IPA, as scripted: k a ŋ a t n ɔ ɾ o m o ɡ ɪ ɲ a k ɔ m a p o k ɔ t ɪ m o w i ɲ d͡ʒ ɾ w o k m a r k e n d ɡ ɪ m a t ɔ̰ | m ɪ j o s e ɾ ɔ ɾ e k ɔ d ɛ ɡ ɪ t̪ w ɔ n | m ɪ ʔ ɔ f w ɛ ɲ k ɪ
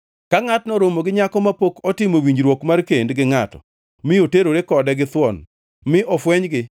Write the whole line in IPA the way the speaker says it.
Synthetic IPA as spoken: k a ŋ a t n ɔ ɾ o m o ɡ ɪ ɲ a k ɔ m a p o k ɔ t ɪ m o w i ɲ d͡ʒ ɾ w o k m a r k e n d ɡ ɪ ŋ a t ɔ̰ | m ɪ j o t e ɾ o ɾ e k ɔ d ɛ ɡ ɪ t̪ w ɔ n | m ɪ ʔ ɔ f w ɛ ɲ ɡ ɪ